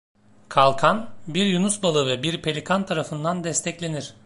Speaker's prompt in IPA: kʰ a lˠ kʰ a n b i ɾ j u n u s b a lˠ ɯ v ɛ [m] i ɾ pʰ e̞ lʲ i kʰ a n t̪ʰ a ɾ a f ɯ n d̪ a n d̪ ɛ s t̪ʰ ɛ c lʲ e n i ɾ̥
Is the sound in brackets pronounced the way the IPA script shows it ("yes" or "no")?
no